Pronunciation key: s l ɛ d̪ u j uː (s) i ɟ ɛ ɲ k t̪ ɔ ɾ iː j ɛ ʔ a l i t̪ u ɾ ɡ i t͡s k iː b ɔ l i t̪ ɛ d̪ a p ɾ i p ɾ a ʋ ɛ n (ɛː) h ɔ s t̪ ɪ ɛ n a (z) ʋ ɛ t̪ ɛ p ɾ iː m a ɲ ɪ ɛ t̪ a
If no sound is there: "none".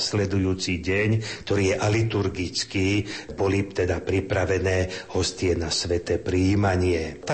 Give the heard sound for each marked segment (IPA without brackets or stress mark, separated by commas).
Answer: t͡s, ɛː, s